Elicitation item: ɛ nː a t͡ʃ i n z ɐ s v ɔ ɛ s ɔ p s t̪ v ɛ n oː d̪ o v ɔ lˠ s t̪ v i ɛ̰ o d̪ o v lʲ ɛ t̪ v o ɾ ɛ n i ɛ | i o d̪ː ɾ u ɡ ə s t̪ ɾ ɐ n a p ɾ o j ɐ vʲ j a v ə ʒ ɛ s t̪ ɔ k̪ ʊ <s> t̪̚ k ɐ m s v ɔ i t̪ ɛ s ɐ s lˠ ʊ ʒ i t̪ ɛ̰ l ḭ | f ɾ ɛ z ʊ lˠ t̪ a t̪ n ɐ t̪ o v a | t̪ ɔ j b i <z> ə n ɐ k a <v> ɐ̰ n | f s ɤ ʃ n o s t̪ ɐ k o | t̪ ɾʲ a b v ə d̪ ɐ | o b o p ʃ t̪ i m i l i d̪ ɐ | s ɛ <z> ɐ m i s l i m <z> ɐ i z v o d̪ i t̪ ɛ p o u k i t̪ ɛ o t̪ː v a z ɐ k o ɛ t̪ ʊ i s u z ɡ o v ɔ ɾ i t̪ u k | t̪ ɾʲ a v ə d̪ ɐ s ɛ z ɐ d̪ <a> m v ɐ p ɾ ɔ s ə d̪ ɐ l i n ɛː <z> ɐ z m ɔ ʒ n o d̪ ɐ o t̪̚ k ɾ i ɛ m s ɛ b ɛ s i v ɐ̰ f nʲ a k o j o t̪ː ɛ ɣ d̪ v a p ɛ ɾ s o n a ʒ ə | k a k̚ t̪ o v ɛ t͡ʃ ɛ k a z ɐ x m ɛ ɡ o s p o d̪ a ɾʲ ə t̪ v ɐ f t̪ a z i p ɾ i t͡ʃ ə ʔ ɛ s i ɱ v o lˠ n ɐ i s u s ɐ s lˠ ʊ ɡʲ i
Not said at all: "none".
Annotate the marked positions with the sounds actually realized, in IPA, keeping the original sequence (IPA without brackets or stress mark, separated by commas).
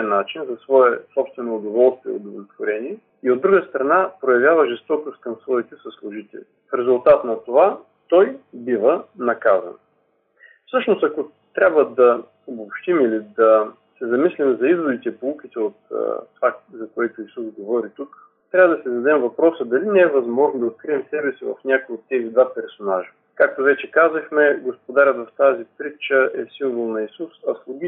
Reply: s, v, z, z, z, ɛ, v